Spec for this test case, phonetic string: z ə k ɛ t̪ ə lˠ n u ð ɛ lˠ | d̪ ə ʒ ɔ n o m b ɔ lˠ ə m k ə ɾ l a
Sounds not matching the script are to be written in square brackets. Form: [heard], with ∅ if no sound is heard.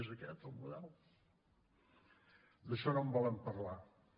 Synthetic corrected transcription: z ə k ɛ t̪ ə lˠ [m] u ð ɛ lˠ | d̪ ə [ʃ] ɔ n o m b ɔ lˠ ə m [p] ə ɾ l a